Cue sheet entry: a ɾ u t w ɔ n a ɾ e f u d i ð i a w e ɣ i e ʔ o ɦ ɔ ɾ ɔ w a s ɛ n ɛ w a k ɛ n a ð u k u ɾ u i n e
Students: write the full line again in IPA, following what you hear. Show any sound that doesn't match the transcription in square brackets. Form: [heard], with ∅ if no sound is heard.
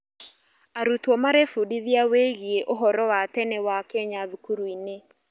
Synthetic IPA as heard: a ɾ u t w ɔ [m] a ɾ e f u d i ð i a w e ɣ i e ʔ o ɦ ɔ ɾ ɔ w a [t] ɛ n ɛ w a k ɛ [ɲ] a ð u k u ɾ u i n e